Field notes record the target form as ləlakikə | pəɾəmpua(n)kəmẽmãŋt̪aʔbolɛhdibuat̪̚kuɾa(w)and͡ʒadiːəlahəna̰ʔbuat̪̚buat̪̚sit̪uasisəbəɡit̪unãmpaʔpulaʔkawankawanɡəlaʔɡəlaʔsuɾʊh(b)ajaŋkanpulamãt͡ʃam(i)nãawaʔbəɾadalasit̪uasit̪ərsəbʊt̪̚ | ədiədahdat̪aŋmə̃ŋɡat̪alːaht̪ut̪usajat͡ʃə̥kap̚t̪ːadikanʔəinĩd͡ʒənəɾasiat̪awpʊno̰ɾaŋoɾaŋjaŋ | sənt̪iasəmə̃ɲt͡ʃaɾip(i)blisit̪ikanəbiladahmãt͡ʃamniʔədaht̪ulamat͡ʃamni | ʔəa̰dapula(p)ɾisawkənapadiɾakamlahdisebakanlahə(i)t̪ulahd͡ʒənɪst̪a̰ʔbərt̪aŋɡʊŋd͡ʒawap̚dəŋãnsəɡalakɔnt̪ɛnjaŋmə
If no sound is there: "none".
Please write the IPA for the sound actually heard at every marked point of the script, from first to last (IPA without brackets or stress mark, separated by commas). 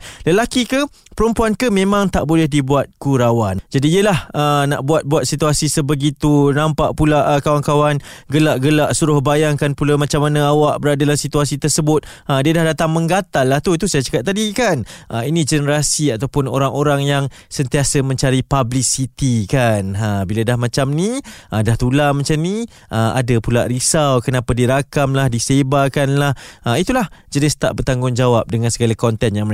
n, w, b, a, a, ʔ, i